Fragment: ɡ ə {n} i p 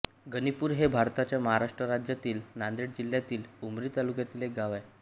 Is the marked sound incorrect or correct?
correct